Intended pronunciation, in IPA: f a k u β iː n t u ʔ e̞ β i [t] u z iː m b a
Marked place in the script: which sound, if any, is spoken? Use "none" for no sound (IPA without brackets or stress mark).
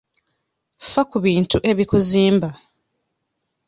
k